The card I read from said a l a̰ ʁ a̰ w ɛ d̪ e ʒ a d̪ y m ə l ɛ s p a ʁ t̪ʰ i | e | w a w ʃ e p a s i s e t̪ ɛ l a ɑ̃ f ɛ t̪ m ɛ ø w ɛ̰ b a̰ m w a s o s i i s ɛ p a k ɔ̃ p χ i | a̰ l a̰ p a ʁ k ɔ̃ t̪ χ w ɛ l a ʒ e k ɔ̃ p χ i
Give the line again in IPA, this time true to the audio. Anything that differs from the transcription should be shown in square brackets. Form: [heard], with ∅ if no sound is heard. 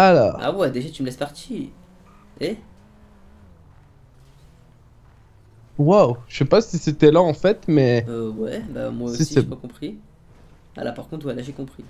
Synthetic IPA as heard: a l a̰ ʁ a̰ w ɛ d̪ e ʒ a [t̪] y m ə l ɛ s p a ʁ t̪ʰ i | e | w a w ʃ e p a s i s e t̪ ɛ l a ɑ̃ f ɛ t̪ m ɛ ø w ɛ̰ b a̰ m w a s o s i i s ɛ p a k ɔ̃ p χ i | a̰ l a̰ p a ʁ k ɔ̃ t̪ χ w ɛ l a ʒ e k ɔ̃ p χ i